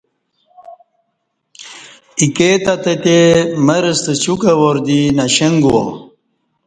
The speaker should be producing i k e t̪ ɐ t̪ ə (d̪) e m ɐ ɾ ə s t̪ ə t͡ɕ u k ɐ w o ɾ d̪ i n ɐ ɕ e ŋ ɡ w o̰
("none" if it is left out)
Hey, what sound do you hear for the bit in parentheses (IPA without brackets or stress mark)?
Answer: t̪